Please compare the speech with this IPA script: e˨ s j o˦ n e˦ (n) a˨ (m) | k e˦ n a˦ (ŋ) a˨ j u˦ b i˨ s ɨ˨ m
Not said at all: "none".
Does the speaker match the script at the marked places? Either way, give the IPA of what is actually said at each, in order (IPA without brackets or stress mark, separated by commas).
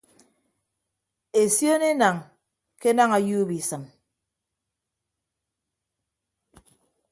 n, ŋ, ŋ